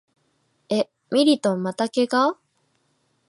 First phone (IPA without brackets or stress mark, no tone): e̞